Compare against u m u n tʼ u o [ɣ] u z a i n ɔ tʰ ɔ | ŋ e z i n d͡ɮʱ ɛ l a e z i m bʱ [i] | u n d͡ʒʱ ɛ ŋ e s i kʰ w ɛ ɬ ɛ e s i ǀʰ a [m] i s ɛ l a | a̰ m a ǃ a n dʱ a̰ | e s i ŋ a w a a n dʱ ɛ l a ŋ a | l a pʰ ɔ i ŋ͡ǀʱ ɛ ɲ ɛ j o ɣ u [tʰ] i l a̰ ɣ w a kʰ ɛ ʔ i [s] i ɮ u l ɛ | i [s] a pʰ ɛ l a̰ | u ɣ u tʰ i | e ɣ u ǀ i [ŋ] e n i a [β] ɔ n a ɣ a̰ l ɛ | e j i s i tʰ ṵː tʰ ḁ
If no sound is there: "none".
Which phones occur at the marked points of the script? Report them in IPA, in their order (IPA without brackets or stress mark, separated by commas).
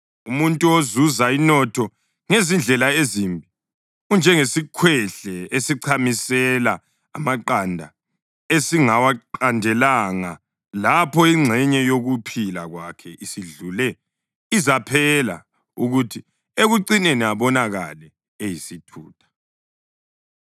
z, i, m, pʰ, s, z, n, β